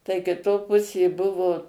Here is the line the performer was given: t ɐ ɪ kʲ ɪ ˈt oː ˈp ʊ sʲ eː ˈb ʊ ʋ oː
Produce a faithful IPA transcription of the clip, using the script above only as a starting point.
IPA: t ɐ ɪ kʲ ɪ ˈt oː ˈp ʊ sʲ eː ˈb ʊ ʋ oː